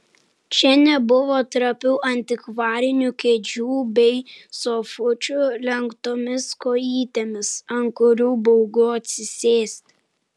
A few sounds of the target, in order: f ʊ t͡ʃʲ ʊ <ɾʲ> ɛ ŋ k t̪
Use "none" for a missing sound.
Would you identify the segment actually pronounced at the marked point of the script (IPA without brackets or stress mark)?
lʲ